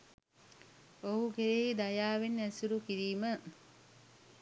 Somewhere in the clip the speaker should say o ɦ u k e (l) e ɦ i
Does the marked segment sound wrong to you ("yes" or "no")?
yes